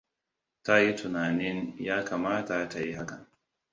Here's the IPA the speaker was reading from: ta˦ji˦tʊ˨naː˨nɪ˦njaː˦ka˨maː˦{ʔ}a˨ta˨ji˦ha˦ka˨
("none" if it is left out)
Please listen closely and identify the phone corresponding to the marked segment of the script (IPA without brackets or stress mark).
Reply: t